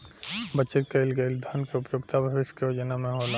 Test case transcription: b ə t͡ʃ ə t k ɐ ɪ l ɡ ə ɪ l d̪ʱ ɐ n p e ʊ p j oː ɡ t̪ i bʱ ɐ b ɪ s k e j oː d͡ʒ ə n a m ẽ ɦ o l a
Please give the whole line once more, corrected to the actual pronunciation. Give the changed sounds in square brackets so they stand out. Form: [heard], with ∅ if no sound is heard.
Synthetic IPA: b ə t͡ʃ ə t k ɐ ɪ l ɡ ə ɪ l d̪ʱ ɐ n [k] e ʊ p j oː ɡ t̪ [a] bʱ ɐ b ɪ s k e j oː d͡ʒ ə n a m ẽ ɦ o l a